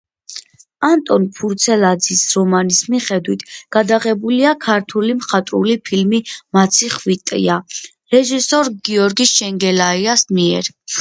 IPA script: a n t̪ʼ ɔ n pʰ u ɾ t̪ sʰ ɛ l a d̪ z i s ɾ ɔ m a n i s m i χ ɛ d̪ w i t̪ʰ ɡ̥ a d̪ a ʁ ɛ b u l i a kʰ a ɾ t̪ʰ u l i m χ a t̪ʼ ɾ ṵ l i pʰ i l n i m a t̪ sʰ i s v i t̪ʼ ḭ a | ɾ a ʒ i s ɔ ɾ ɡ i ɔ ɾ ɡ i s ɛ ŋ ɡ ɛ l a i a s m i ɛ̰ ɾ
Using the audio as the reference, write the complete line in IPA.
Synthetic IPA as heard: a n t̪ʼ ɔ n pʰ u ɾ t̪ sʰ ɛ l a d̪ z i s ɾ ɔ m a n i s m i χ ɛ d̪ w i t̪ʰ ɡ̥ a d̪ a ʁ ɛ b u l i a kʰ a ɾ t̪ʰ u l i m χ a t̪ʼ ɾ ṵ l i pʰ i l m i m a t̪ sʰ i χ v i t̪ʼ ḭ a | ɾ ɛ ʒ i s ɔ ɾ ɡ i ɔ ɾ ɡ i ʃ ɛ ŋ ɡ ɛ l a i a s m i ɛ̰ ɾ

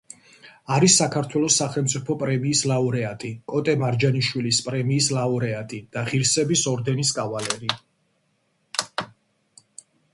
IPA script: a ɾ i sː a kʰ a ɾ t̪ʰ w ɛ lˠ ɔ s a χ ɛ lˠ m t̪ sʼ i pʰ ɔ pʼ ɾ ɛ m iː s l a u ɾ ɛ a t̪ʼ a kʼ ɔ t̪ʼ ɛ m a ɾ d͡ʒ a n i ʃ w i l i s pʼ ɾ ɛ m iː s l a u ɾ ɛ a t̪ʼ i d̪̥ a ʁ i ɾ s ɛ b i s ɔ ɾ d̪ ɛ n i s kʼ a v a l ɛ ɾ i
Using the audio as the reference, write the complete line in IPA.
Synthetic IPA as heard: a ɾ i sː a kʰ a ɾ t̪ʰ w ɛ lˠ ɔ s a χ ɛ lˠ m t̪ sʼ i pʰ ɔ pʼ ɾ ɛ m iː s l a u ɾ ɛ a t̪ʼ i kʼ ɔ t̪ʼ ɛ m a ɾ d͡ʒ a n i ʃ w i l i s pʼ ɾ ɛ m iː s l a u ɾ ɛ a t̪ʼ i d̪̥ a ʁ i ɾ s ɛ b i s ɔ ɾ d̪ ɛ n i s kʼ a v a l ɛ ɾ i

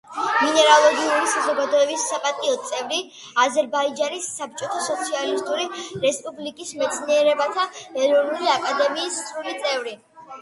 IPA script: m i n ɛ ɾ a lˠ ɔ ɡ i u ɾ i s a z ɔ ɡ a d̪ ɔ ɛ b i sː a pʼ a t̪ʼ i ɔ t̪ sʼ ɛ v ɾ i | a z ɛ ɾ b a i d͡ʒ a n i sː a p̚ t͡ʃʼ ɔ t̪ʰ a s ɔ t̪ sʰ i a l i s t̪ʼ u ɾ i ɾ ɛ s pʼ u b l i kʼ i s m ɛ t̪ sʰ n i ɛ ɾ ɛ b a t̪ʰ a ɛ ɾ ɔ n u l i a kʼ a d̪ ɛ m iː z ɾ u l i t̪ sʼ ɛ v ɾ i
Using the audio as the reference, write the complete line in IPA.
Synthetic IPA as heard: m i n ɛ ɾ a lˠ ɔ ɡ i u ɾ i s a z ɔ ɡ a d̪ ɔ ɛ b i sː a pʼ a t̪ʼ i ɔ t̪ sʼ ɛ v ɾ i | a z ɛ ɾ b a i d͡ʒ a n i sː a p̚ t͡ʃʼ ɔ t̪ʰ a s ɔ t̪ sʰ i a l i s t̪ʼ u ɾ i ɾ ɛ s pʼ u b l i kʼ i s m ɛ t̪ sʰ n i ɛ ɾ ɛ b a t̪ʰ a ɛ ɾ ɔ n u l i a kʼ a d̪ ɛ m iː s ɾ u l i t̪ sʼ ɛ v ɾ i

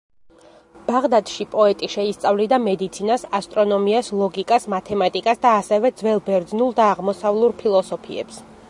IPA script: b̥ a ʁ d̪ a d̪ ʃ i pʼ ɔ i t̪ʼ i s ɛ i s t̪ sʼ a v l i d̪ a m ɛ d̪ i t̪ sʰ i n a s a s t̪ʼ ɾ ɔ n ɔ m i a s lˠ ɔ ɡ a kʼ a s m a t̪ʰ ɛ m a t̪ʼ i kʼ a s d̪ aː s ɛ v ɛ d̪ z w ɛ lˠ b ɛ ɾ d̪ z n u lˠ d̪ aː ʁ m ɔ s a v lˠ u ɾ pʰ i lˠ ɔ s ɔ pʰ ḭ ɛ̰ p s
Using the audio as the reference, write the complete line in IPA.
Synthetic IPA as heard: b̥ a ʁ d̪ a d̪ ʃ i pʼ ɔ ɛ t̪ʼ i ʃ ɛ i s t̪ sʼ a v l i d̪ a m ɛ d̪ i t̪ sʰ i n a s a s t̪ʼ ɾ ɔ n ɔ m i a s lˠ ɔ ɡ i kʼ a s m a t̪ʰ ɛ m a t̪ʼ i kʼ a s d̪ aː s ɛ v ɛ d̪ z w ɛ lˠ b ɛ ɾ d̪ z n u lˠ d̪ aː ʁ m ɔ s a v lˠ u ɾ pʰ i lˠ ɔ s ɔ pʰ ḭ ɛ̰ p s

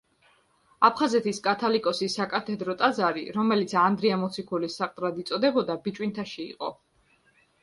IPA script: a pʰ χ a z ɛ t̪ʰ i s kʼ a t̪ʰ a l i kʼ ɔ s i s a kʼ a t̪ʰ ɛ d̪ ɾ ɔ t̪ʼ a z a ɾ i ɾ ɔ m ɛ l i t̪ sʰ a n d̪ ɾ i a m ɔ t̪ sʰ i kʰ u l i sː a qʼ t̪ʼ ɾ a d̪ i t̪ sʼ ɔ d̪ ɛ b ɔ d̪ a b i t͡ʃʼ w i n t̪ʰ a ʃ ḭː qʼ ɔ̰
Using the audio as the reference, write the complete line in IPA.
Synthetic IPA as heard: a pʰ χ a z ɛ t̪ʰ i s kʼ a t̪ʰ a l i kʼ ɔ s i s a kʼ a t̪ʰ ɛ d̪ ɾ ɔ t̪ʼ a z a ɾ i ɾ ɔ m ɛ l i t̪ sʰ a n d̪ ɾ i a m ɔ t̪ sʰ i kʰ u l i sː a qʼ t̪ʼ ɾ a d̪ i t̪ sʼ ɔ d̪ ɛ b ɔ d̪ a b i t͡ʃʼ w i n t̪ʰ a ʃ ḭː qʼ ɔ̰

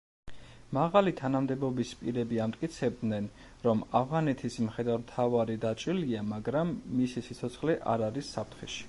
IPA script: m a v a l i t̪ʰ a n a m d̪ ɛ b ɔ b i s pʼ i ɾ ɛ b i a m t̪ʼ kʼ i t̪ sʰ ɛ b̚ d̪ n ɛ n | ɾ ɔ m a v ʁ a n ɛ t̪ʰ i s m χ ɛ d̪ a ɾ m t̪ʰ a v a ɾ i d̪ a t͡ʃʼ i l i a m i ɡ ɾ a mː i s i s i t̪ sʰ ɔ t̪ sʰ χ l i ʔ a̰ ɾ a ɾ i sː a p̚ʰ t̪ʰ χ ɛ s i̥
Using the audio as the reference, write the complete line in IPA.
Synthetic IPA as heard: m a ʁ a l i t̪ʰ a n a m d̪ ɛ b ɔ b i s pʼ i ɾ ɛ b i a m t̪ʼ kʼ i t̪ sʰ ɛ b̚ d̪ n ɛ n | ɾ ɔ m a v ʁ a n ɛ t̪ʰ i s m χ ɛ d̪ a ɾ m t̪ʰ a v a ɾ i d̪ a t͡ʃʼ i l i a m a ɡ ɾ a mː i s i s i t̪ sʰ ɔ t̪ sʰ χ l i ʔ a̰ ɾ a ɾ i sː a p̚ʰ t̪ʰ χ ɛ ʃ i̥

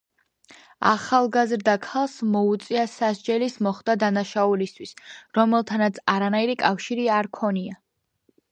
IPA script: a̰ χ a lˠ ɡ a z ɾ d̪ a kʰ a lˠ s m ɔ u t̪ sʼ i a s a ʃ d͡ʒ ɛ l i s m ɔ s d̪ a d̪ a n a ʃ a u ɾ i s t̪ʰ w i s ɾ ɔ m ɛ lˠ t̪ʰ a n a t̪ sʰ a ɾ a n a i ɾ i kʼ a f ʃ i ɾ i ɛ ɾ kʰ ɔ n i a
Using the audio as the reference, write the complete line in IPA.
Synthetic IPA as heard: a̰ χ a lˠ ɡ a z ɾ d̪ a kʰ a lˠ s m ɔ u t̪ sʼ i a s a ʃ d͡ʒ ɛ l i s m ɔ χ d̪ a d̪ a n a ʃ a u l i s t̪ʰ w i s ɾ ɔ m ɛ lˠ t̪ʰ a n a t̪ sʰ a ɾ a n a i ɾ i kʼ a f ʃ i ɾ i a ɾ kʰ ɔ n i a

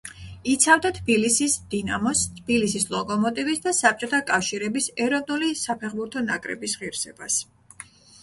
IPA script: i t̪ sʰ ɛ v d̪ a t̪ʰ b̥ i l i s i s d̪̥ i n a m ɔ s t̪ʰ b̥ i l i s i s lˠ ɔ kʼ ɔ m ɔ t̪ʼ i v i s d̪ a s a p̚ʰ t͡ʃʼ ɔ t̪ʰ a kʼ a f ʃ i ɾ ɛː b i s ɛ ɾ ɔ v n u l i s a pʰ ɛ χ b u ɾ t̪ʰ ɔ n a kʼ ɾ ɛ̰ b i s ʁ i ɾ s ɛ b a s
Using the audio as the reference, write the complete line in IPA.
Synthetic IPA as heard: i t̪ sʰ a v d̪ a t̪ʰ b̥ i l i s i s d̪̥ i n a m ɔ s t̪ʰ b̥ i l i s i s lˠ ɔ kʼ ɔ m ɔ t̪ʼ i v i s d̪ a s a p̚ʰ t͡ʃʼ ɔ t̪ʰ a kʼ a f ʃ i ɾ ɛ b i s ɛ ɾ ɔ v n u l i s a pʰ ɛ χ b u ɾ t̪ʰ ɔ n a kʼ ɾ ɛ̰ b i s ʁ i ɾ s ɛ b a s

